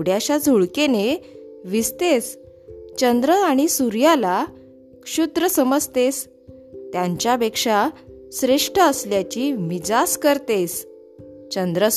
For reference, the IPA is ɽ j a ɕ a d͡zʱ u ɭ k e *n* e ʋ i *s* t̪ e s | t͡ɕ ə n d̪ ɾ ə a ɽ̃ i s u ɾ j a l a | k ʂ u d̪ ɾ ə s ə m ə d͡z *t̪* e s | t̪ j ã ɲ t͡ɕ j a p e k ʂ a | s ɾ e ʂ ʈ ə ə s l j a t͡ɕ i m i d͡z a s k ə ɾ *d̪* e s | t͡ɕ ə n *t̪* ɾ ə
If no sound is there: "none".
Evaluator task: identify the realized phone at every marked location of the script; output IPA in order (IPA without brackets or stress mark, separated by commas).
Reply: n, s, t̪, t̪, d̪